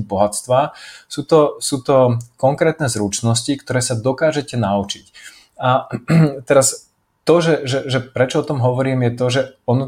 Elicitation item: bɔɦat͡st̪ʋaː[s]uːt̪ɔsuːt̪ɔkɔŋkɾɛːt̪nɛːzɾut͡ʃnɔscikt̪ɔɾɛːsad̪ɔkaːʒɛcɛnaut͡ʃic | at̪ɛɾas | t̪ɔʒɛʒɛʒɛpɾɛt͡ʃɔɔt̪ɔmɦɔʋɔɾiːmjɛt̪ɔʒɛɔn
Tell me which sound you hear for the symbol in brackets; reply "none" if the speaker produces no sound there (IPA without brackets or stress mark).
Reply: s